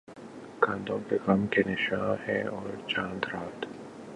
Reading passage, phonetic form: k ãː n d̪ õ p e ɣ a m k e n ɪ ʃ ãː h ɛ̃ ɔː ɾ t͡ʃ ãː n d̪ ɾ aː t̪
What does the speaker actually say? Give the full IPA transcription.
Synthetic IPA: k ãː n d̪ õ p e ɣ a m k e n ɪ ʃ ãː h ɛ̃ ɔː ɾ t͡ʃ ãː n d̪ ɾ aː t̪